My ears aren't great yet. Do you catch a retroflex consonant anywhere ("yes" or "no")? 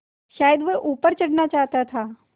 yes